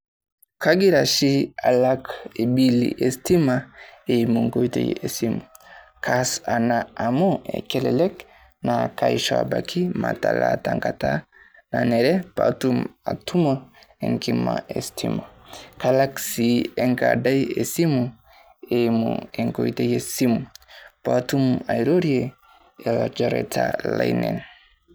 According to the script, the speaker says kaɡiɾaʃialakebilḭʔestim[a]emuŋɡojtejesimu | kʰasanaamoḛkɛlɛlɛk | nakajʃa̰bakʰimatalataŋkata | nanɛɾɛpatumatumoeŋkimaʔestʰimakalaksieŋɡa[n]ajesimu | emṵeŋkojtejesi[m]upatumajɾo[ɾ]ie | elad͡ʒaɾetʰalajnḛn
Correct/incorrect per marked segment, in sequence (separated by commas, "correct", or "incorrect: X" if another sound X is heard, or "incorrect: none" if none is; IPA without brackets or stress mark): correct, incorrect: d, correct, correct